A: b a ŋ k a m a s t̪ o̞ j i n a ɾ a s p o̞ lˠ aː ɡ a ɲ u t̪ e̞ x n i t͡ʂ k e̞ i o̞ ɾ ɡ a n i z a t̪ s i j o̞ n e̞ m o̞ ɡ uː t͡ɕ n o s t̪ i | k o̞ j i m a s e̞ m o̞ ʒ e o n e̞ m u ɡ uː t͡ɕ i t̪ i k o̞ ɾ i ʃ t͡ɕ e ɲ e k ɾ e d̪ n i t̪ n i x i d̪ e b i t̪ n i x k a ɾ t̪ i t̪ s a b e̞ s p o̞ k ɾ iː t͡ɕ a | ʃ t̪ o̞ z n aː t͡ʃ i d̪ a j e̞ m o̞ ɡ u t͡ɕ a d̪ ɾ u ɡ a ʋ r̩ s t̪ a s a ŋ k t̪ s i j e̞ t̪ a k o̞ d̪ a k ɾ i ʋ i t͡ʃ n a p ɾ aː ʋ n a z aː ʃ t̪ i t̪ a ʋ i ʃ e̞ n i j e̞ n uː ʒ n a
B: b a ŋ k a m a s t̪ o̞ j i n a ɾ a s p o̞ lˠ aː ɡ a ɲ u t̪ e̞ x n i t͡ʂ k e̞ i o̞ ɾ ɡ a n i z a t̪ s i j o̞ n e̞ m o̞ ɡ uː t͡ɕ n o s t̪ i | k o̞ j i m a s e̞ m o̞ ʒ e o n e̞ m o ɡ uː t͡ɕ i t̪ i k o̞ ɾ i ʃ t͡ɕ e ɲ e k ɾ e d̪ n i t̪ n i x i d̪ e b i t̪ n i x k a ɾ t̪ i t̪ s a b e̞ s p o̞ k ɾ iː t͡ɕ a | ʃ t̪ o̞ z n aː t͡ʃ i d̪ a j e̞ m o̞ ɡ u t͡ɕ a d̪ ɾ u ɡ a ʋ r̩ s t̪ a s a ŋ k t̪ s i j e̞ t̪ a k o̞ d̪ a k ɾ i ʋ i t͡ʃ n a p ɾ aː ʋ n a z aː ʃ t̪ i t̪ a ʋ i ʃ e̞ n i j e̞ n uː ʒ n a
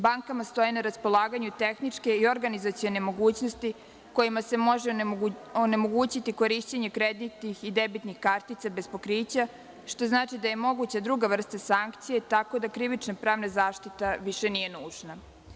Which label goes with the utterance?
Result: B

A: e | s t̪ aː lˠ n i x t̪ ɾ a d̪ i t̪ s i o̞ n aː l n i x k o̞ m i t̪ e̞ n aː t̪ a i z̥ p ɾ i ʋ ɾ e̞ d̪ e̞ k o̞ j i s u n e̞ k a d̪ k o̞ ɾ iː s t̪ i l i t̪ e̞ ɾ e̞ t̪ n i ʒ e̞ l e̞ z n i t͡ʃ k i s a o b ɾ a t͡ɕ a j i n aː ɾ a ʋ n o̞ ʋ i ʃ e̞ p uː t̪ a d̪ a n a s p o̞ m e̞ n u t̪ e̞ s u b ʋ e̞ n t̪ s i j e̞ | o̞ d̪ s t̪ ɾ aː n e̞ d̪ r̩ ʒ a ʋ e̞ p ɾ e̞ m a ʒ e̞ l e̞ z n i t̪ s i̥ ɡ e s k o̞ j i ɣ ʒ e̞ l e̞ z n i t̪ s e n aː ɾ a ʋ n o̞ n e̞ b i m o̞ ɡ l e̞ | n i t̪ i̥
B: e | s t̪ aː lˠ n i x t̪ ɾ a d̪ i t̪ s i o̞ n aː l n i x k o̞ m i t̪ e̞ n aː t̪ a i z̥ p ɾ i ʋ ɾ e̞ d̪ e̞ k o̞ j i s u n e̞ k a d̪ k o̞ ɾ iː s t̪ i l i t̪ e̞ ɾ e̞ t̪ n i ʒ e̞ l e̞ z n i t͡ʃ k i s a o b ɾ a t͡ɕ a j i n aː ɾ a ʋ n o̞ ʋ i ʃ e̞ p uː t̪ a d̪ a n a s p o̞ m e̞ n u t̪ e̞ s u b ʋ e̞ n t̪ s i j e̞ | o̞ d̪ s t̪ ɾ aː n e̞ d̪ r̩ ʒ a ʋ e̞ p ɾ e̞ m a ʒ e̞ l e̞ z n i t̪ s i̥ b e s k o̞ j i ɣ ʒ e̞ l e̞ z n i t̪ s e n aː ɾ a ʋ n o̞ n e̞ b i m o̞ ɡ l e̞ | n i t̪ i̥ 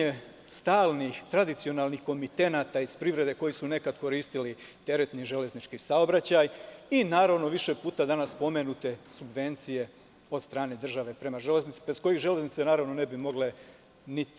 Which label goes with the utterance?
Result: B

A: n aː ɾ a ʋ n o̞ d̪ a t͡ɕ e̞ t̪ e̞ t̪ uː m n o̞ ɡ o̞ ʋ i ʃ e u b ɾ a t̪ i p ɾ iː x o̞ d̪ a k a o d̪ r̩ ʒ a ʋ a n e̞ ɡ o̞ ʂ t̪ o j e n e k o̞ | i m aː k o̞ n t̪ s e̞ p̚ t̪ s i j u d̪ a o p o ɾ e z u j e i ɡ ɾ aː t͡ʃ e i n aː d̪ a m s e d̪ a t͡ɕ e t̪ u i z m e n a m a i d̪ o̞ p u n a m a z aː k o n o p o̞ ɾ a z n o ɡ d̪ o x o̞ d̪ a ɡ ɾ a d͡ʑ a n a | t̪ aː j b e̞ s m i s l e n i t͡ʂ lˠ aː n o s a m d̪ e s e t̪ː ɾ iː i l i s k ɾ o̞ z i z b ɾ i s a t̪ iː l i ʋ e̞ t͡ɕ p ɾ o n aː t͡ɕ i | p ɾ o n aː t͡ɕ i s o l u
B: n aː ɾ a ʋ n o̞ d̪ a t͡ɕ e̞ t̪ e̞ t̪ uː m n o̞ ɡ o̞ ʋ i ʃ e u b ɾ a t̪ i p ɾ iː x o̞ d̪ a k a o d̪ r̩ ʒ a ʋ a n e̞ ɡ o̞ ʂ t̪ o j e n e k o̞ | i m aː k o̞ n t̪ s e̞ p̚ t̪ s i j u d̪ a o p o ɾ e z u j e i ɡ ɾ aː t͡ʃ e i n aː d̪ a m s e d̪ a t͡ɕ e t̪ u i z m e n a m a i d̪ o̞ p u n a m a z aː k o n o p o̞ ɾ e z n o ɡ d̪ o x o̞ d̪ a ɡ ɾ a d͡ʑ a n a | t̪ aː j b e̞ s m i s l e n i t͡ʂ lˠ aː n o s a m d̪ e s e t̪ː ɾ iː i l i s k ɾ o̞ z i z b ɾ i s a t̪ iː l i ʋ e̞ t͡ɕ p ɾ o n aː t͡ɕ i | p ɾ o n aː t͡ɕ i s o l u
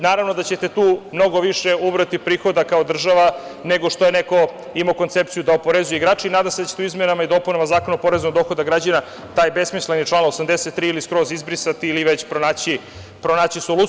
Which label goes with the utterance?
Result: B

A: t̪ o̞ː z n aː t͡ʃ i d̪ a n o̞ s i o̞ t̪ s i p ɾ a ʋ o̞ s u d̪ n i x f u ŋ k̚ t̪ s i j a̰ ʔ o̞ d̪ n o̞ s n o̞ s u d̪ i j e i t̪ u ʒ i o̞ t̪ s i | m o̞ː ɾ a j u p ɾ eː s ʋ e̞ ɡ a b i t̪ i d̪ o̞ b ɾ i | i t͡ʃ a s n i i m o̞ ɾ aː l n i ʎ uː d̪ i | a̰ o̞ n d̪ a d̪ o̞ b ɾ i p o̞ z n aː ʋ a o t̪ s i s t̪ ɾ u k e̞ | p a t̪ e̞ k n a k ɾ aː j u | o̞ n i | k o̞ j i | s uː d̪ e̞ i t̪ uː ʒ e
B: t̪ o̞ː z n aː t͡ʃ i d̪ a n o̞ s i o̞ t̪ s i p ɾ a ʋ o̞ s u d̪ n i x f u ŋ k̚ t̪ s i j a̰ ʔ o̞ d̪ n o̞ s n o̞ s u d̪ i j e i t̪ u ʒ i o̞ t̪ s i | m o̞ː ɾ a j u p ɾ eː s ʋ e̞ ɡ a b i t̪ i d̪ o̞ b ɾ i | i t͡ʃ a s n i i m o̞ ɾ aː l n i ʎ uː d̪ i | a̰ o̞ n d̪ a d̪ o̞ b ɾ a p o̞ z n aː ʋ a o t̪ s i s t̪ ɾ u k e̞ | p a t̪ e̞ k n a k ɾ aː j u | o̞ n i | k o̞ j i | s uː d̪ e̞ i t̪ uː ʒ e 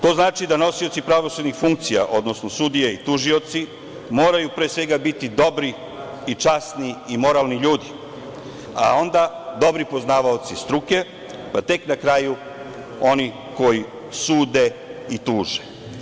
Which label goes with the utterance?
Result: A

